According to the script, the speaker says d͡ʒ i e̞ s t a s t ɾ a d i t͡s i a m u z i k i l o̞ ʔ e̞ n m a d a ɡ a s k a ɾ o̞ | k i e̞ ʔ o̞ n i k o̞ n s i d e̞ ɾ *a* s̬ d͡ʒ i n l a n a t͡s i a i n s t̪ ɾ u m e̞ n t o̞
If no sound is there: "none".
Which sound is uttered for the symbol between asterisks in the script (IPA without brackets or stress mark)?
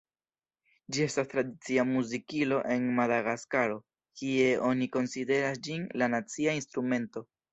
a